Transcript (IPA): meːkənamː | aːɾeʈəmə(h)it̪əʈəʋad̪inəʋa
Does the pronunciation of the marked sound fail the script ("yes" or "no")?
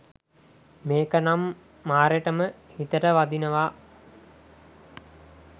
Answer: no